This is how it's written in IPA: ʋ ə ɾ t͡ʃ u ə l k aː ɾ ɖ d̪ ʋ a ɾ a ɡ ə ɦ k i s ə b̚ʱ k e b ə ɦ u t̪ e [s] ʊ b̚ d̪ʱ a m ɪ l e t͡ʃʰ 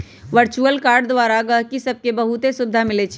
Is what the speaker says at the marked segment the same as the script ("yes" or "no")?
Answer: yes